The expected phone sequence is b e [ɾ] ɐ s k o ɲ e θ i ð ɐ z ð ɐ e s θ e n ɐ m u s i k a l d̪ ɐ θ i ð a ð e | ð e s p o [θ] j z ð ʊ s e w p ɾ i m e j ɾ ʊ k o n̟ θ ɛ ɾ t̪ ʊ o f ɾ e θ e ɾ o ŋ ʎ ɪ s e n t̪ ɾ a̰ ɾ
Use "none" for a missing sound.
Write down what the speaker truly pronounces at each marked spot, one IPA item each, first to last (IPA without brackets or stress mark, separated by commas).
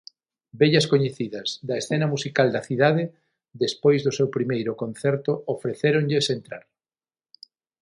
ʎ, none